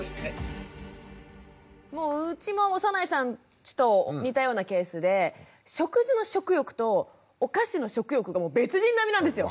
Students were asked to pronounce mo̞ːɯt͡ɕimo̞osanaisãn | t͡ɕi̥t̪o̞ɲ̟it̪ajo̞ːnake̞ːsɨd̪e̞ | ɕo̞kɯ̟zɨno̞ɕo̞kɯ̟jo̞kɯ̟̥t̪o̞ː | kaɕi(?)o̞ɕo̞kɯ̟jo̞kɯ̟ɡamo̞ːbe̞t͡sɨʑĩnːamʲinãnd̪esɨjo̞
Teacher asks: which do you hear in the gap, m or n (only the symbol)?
n